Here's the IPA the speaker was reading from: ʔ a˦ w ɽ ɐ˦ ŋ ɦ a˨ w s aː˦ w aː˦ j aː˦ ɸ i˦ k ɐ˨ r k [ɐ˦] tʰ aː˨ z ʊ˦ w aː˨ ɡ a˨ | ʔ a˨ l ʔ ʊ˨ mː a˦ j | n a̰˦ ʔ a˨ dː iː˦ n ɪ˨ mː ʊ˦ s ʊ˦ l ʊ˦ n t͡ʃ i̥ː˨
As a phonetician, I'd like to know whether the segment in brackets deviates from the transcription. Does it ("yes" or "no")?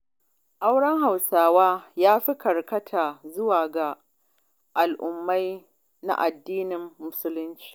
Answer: no